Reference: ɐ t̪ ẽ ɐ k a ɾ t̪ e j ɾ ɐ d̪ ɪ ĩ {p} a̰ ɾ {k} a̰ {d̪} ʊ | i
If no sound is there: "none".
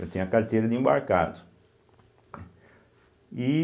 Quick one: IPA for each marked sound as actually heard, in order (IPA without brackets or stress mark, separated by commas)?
b, k, d̪